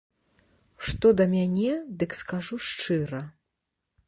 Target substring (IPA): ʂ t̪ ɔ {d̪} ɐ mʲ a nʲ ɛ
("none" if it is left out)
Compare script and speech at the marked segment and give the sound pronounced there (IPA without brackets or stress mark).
d̪